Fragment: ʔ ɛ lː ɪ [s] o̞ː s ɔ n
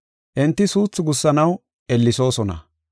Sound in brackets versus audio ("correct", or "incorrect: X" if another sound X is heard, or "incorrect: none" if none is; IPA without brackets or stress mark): correct